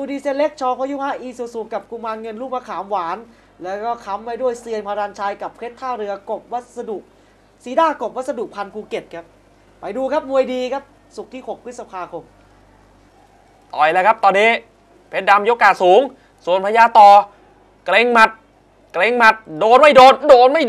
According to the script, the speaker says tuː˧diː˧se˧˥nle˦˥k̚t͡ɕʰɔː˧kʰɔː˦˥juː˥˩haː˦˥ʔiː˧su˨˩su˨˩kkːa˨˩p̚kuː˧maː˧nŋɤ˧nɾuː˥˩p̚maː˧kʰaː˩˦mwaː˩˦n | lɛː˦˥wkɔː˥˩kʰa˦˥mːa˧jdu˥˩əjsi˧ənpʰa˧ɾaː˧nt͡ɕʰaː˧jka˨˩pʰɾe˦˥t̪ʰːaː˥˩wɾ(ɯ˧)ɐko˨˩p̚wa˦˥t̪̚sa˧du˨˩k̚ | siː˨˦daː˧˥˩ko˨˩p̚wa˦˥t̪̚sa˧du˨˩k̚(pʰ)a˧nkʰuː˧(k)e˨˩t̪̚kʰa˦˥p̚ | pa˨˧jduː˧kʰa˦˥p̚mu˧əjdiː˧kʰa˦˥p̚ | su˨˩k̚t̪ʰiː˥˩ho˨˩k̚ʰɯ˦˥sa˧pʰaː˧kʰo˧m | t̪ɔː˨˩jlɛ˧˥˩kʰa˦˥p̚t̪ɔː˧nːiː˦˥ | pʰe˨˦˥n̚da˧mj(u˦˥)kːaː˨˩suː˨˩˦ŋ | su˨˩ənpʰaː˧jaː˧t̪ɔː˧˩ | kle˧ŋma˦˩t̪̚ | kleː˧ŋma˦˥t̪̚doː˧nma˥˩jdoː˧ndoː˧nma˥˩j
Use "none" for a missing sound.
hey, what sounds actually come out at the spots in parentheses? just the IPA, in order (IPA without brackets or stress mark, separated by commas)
ɯ˧, pʰ, k, o˦˥